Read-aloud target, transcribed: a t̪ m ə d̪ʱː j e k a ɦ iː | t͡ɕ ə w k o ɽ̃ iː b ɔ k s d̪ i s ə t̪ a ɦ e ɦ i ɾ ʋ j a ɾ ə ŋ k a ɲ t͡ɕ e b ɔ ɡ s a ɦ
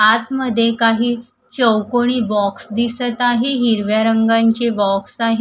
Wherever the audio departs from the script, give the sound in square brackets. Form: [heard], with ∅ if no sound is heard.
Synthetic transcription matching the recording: a t̪ m ə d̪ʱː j e k a ɦ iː | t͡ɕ ə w k o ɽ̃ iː b ɔ k s d̪ i s ə t̪ a ɦ e ɦ i ɾ ʋ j a ɾ ə ŋ [ɡ] a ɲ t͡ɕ e b ɔ [k] s a ɦ

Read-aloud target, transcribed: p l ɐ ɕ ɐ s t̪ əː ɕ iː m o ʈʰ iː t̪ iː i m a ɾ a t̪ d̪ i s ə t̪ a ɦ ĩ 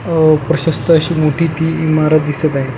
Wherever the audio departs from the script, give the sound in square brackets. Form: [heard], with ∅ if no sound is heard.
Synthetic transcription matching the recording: p [ɾ] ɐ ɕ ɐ s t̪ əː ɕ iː m o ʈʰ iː t̪ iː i m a ɾ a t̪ d̪ i s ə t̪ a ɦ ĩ

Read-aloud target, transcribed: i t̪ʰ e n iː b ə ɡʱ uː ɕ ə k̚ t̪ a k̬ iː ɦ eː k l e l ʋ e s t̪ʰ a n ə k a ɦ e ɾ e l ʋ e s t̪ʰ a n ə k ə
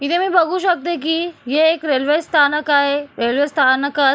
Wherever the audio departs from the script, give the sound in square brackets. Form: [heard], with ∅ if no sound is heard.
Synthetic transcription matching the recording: i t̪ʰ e [m] iː b ə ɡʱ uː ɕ ə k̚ t̪ [e] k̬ iː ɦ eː k [ɾ] e l ʋ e s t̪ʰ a n ə k a ɦ e ɾ e l ʋ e s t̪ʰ a n ə k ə

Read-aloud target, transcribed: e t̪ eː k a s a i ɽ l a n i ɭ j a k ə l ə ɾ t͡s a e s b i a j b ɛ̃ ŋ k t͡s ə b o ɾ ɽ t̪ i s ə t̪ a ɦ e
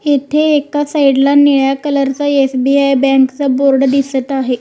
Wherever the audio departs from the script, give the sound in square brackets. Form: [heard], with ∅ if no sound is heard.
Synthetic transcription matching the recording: e [t̪ʰ] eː k a s a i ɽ l a n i ɭ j a k ə l ə ɾ t͡s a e s b i a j b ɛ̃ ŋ k t͡s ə b o ɾ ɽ [d̪] i s ə t̪ a ɦ e

